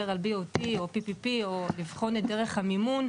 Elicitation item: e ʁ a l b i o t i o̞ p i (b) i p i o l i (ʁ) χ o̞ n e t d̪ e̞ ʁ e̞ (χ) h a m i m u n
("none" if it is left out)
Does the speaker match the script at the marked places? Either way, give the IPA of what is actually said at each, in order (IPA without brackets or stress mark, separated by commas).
p, v, χ